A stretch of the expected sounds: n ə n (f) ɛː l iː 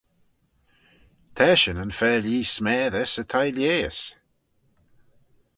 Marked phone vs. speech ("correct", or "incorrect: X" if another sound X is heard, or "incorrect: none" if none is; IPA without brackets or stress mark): correct